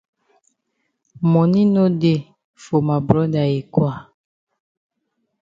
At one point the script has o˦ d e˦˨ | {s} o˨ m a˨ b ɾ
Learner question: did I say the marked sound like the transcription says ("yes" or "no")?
no